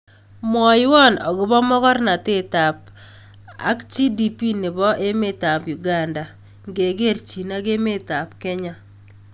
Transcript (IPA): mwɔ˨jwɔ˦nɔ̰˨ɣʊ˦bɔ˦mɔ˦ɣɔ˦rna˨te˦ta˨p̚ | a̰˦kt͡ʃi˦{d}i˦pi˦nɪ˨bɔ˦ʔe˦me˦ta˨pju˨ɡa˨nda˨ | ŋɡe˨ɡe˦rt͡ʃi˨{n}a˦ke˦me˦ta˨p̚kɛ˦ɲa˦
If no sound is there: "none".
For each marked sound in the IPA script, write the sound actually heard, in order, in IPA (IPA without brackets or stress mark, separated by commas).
d, n